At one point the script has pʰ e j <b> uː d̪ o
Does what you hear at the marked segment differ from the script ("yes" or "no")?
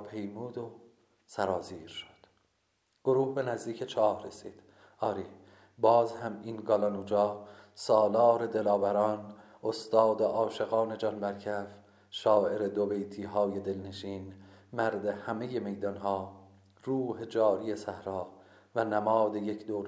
yes